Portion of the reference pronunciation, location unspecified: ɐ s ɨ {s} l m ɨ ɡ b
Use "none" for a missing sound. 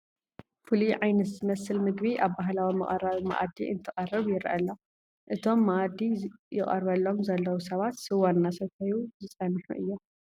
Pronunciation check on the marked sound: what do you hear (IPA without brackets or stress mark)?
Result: none